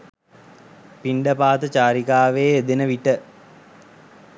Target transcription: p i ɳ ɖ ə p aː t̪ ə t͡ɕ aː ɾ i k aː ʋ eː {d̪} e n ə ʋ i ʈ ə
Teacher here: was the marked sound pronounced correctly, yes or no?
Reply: yes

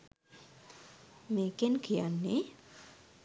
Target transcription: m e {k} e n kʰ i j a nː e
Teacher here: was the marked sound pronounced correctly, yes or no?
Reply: yes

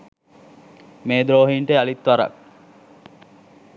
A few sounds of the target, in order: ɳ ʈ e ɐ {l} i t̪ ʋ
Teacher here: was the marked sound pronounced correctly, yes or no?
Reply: yes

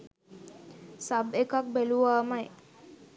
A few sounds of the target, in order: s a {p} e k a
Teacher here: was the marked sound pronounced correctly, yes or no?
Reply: no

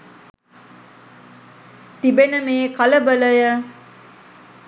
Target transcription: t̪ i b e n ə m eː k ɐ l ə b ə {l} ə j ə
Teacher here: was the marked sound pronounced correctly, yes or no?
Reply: yes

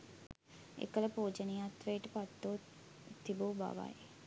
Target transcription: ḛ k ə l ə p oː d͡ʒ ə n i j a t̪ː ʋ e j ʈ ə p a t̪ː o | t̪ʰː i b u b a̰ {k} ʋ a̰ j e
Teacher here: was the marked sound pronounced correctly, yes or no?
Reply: no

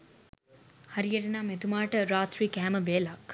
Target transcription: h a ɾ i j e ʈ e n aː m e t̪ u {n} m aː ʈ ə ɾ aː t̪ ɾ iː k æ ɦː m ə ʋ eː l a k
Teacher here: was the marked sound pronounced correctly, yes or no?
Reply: no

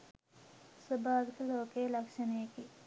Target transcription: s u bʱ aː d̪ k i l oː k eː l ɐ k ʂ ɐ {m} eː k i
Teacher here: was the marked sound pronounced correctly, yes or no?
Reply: no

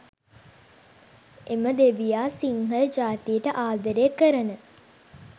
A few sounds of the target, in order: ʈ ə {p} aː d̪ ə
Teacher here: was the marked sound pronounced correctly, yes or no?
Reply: no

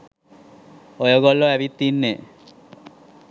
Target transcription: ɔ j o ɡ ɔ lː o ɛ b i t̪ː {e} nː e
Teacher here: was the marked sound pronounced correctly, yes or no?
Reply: no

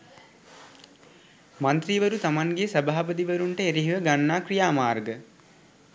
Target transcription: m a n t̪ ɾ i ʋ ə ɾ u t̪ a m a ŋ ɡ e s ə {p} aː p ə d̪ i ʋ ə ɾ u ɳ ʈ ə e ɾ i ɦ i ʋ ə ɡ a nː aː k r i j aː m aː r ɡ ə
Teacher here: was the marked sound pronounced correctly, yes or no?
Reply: no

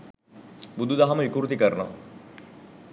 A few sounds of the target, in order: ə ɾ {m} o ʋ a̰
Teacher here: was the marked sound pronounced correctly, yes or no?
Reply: no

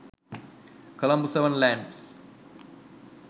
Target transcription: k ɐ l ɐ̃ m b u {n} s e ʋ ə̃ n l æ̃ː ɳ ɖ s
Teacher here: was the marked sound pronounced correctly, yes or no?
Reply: no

